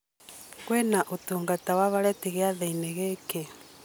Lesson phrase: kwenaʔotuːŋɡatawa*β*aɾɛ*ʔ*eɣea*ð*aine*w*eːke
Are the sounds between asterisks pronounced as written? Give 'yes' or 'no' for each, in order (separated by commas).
yes, no, yes, no